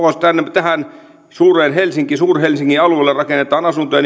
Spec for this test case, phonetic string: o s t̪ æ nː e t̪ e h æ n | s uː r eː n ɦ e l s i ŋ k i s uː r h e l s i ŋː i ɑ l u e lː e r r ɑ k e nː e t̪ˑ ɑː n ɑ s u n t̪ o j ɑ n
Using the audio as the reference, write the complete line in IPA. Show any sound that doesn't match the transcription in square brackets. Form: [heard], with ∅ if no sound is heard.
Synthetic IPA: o s t̪ æ nː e t̪ [æ] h æ n | s uː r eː n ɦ e l s i ŋ k i s uː r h e l s i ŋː i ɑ l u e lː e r r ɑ k e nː e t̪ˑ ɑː n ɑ s u n t̪ o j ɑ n